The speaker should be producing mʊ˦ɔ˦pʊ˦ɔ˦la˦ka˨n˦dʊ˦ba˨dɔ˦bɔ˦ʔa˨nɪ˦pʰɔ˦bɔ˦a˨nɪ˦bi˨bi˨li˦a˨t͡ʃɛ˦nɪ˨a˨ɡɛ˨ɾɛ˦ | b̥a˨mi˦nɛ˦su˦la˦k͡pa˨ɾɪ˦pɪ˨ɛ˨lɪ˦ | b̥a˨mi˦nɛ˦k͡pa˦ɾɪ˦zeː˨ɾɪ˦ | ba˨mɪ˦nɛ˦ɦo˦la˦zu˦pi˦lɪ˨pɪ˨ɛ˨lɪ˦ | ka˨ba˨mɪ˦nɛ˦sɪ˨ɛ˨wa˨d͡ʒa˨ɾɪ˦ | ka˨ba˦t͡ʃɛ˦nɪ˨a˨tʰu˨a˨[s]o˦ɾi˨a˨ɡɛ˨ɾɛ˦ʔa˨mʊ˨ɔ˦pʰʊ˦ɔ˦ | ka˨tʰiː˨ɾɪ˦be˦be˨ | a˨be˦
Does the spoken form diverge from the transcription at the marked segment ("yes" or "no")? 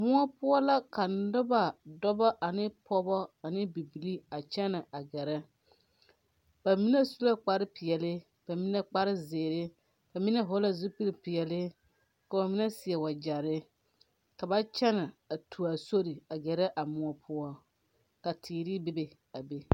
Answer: no